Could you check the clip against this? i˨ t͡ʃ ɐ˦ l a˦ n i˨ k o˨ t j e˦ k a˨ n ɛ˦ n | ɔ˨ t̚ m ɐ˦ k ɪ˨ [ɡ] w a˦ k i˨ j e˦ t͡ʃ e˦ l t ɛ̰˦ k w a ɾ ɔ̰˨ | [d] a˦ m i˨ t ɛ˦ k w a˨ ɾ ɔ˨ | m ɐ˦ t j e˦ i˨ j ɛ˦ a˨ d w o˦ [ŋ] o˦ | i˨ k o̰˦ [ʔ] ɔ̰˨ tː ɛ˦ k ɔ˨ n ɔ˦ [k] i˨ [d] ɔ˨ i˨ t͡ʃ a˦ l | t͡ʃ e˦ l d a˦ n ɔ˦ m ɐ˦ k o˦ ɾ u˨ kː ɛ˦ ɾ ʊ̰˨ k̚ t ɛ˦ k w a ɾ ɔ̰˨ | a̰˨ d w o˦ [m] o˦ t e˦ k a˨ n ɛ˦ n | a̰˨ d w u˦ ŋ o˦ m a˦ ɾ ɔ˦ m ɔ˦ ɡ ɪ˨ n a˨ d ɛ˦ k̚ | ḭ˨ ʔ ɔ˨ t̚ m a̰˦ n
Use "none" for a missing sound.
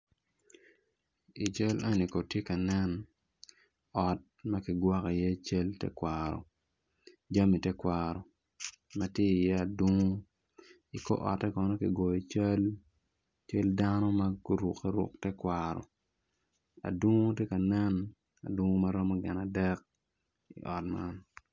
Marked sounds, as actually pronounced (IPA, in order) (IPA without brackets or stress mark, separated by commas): ɡ, d͡ʒ, ŋ, ʔ, k, ɡ, ŋ